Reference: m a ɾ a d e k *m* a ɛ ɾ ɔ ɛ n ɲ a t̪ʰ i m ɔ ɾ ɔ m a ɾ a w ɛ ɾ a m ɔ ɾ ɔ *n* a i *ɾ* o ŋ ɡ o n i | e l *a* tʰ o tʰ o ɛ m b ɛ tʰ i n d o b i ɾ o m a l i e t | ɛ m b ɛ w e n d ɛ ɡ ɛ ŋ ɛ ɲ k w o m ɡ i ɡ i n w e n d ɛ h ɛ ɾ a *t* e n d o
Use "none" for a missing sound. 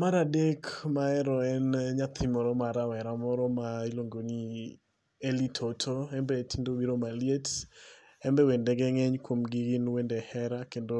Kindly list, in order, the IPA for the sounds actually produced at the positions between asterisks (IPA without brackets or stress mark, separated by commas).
m, m, l, i, k